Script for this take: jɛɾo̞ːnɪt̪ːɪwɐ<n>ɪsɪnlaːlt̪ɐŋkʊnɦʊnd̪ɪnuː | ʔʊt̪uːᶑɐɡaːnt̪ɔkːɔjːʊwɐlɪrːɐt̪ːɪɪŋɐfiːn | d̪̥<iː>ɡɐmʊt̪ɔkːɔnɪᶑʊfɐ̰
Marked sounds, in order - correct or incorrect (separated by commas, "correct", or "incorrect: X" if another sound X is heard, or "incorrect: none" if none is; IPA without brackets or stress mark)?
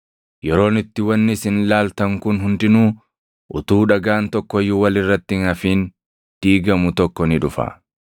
incorrect: nː, correct